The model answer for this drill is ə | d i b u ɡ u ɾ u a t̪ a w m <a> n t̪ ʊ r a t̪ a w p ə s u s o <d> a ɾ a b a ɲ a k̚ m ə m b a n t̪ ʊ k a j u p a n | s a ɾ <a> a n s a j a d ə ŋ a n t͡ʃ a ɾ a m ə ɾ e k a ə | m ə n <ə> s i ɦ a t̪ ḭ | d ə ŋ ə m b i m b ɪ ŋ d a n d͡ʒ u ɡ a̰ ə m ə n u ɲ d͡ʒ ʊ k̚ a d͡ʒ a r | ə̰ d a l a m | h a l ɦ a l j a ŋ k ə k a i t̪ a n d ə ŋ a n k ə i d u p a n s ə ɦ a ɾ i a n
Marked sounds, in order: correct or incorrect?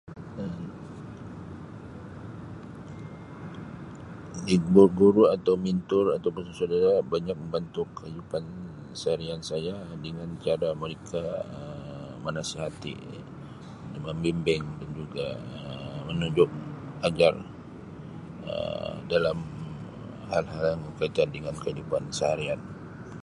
incorrect, correct, incorrect, incorrect

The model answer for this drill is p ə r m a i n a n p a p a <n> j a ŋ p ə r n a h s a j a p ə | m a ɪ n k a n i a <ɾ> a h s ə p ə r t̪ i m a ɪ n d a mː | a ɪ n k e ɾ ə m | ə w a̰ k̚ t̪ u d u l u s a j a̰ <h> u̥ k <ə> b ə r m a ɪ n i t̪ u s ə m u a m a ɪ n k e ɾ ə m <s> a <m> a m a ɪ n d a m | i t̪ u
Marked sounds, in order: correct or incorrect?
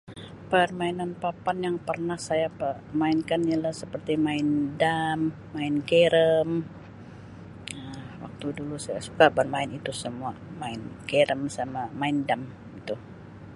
correct, incorrect, incorrect, incorrect, correct, correct

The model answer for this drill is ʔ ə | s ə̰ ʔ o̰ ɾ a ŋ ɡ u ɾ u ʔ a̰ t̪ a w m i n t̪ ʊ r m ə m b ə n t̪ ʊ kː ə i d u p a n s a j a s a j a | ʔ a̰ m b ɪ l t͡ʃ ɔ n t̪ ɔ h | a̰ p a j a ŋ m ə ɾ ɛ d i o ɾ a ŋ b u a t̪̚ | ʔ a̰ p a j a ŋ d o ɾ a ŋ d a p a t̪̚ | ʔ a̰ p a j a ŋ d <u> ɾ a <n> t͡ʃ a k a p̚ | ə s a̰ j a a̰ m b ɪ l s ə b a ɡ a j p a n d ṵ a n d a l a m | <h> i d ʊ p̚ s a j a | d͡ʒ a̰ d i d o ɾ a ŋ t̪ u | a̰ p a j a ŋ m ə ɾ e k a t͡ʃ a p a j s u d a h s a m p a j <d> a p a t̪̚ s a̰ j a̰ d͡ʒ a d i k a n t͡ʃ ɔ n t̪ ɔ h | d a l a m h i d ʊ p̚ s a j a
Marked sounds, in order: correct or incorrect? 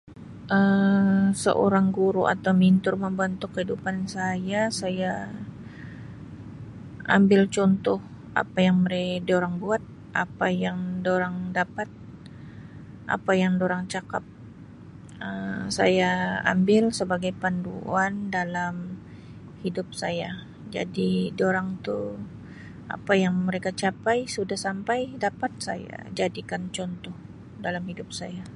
incorrect, incorrect, correct, correct

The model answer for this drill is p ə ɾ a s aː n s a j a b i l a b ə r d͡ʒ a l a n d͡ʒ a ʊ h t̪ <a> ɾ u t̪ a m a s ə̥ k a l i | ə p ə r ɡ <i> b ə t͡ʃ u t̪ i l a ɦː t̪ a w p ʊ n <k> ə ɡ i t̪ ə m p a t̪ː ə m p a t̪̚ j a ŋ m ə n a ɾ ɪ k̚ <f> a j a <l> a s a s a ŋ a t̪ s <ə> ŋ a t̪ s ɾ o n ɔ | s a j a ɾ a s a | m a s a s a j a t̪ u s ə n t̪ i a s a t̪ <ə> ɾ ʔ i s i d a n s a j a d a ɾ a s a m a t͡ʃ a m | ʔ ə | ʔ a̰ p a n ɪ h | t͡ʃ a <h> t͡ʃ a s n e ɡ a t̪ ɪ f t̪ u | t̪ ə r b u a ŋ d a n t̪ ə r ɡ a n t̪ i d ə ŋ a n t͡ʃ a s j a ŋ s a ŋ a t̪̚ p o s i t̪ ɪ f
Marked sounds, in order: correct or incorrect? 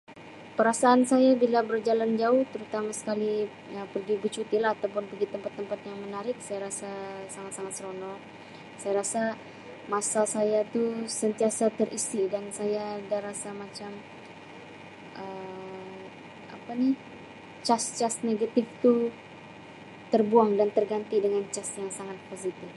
incorrect, correct, incorrect, incorrect, incorrect, incorrect, correct, incorrect

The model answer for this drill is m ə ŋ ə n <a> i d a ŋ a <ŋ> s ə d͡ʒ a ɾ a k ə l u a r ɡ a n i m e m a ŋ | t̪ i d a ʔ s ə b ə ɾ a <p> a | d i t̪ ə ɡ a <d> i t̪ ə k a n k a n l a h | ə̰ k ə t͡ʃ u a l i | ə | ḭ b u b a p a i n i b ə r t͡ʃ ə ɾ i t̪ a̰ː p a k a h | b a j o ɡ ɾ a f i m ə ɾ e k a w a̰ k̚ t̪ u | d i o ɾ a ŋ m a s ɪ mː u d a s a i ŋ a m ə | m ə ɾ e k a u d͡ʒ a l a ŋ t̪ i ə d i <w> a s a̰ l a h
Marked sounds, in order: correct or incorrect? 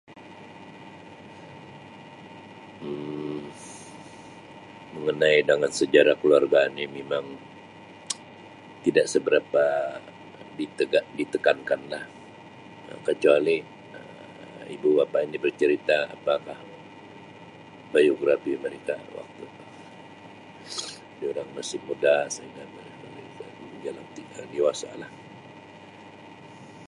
correct, incorrect, correct, correct, correct

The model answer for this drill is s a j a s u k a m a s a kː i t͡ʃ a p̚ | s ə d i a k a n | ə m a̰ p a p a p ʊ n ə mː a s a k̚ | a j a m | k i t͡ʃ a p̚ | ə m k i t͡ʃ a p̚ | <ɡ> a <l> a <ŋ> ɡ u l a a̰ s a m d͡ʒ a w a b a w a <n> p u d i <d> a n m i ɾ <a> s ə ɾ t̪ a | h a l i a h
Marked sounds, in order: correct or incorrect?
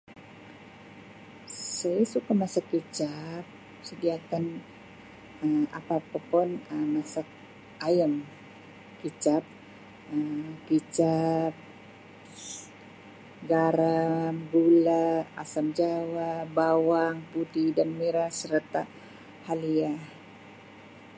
correct, incorrect, incorrect, incorrect, correct, correct

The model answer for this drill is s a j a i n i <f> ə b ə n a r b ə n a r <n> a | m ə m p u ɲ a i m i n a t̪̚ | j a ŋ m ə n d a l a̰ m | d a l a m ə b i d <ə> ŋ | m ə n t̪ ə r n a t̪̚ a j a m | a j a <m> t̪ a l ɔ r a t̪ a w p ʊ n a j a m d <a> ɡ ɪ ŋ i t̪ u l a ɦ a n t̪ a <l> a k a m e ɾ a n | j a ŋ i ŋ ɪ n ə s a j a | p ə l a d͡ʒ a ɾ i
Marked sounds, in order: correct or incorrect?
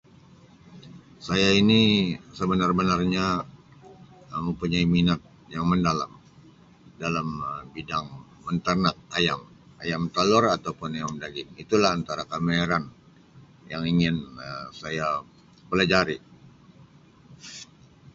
incorrect, incorrect, incorrect, correct, correct, incorrect

